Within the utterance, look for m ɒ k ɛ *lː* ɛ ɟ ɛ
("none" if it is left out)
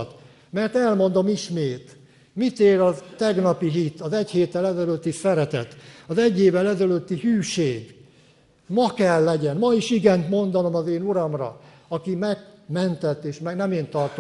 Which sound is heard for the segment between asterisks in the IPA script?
lː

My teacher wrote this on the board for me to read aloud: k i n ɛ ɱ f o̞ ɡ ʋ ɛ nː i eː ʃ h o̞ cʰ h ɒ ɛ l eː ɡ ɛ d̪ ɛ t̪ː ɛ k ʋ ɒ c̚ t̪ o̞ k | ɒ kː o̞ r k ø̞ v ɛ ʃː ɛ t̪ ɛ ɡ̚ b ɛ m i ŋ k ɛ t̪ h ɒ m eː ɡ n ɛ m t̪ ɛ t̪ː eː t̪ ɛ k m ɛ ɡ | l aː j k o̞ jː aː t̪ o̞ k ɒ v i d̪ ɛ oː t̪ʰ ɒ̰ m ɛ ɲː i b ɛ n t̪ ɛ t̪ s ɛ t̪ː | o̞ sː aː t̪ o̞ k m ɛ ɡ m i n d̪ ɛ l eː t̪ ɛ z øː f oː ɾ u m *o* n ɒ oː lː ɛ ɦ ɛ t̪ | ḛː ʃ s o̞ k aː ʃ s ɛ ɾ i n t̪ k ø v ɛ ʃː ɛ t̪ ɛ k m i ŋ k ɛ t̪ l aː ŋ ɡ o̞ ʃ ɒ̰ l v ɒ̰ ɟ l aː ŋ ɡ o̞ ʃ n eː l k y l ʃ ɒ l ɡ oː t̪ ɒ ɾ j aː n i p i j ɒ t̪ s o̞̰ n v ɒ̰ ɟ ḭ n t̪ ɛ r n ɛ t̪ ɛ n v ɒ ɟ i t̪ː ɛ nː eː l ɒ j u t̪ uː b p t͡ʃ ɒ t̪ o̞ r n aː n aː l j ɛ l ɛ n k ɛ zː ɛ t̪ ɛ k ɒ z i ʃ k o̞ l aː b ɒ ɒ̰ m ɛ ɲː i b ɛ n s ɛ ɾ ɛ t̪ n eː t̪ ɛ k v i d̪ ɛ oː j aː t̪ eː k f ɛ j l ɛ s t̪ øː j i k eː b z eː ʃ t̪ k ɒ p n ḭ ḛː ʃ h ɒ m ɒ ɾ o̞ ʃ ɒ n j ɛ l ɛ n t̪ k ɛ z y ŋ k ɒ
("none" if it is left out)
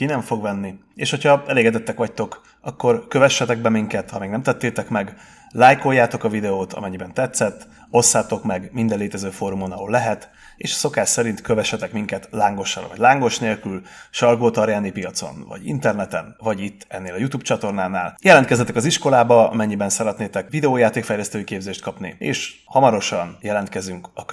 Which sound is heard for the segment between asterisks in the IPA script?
o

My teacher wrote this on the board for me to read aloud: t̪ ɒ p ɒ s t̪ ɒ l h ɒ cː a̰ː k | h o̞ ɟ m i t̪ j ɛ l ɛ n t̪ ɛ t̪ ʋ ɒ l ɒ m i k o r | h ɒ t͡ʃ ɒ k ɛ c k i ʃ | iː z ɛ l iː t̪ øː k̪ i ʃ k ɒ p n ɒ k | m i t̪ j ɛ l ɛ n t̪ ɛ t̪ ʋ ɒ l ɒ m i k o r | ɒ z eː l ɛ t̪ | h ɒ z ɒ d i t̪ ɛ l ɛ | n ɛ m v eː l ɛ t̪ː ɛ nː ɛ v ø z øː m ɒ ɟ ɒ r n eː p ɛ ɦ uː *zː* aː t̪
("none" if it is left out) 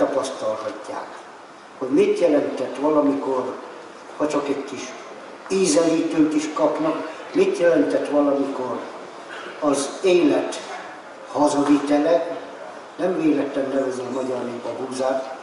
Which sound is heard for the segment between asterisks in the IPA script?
z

